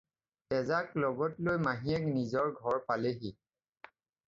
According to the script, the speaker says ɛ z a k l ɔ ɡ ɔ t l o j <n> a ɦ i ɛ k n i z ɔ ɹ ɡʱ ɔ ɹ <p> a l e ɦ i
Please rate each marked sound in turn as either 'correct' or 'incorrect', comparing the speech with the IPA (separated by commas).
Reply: incorrect, correct